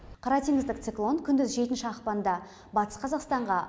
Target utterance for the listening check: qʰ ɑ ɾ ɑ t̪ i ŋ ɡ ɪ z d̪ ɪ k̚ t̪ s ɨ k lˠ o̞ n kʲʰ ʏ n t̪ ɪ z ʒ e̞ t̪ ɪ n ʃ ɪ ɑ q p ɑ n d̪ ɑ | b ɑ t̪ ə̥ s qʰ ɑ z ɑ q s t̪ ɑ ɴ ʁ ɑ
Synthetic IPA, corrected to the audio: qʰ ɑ ɾ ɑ t̪ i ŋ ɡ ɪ z d̪ ɪ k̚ t̪ s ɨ k lˠ o̞ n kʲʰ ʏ n d̪ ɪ z ʒ e̞ t̪ ɪ n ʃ ɪ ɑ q p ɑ n d̪ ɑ | b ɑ t̪ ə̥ s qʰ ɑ z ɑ q s t̪ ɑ ɴ ʁ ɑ